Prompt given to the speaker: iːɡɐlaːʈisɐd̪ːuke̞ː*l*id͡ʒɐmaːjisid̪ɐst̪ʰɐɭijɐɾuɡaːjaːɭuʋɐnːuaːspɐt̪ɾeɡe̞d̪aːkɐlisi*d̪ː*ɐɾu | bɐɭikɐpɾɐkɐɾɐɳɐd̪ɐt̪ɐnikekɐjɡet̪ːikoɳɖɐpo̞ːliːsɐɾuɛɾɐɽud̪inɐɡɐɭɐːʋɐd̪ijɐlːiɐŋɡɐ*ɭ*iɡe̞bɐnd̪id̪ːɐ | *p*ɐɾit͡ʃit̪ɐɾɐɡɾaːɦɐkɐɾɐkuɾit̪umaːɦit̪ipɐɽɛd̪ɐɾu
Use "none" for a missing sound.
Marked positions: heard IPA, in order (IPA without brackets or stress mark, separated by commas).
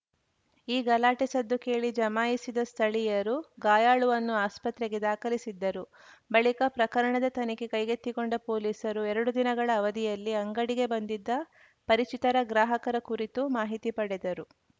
ɭ, d̪ː, ɽ, p